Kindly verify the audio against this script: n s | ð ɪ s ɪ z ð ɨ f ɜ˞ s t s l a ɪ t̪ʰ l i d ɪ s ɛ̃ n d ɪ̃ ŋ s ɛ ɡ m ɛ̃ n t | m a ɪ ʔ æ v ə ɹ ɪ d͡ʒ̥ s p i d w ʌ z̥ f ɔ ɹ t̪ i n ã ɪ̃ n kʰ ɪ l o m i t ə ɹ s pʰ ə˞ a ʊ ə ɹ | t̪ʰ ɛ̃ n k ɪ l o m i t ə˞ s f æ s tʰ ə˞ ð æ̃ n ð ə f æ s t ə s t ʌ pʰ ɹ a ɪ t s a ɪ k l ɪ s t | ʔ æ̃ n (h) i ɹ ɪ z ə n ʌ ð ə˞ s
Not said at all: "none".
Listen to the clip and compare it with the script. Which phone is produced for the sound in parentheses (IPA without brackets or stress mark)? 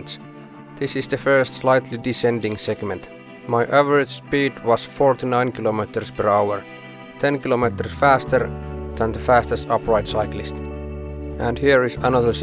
h